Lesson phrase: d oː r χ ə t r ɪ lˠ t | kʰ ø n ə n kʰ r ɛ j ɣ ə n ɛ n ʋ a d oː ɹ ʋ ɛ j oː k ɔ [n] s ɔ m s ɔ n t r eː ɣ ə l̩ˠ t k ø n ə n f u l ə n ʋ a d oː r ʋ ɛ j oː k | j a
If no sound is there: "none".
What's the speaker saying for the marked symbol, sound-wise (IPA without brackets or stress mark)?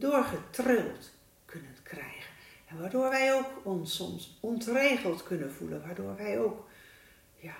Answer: n